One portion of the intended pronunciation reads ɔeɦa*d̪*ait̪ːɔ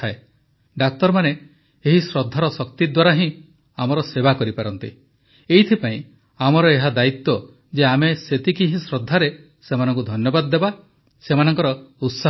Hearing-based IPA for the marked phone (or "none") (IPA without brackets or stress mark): d̪